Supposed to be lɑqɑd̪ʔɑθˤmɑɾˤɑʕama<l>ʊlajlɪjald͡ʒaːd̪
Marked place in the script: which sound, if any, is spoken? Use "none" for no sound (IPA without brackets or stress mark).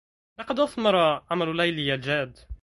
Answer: l